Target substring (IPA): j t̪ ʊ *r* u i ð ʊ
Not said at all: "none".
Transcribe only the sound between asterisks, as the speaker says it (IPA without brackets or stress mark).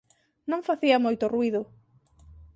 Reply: r